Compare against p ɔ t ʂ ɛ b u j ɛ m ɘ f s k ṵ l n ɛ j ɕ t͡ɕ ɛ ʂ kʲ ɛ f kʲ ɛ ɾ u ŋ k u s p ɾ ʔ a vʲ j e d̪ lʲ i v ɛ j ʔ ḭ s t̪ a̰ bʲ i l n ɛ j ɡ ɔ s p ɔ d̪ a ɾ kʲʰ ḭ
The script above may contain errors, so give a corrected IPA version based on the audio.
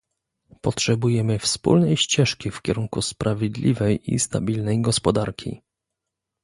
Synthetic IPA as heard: p ɔ t ʂ ɛ b u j ɛ m ɘ f s p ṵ l n ɛ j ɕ t͡ɕ ɛ ʂ kʲ i f kʲ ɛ ɾ u ŋ k u s p ɾ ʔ a vʲ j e d̪ lʲ i v ɛ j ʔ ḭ s t̪ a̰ bʲ i l n ɛ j ɡ ɔ s p ɔ d̪ a ɾ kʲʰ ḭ